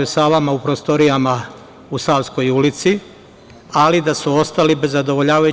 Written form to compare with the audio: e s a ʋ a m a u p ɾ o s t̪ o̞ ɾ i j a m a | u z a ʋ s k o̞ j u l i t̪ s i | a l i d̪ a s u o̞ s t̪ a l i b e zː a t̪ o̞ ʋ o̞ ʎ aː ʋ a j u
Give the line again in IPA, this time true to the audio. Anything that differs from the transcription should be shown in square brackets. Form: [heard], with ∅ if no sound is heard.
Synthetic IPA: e s a ʋ a m a u p ɾ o s t̪ o̞ ɾ i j a m a | u [s] a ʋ s k o̞ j u l i t̪ s i | a l i d̪ a s u o̞ s t̪ a l i b e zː a [d̪] o̞ ʋ o̞ ʎ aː ʋ a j u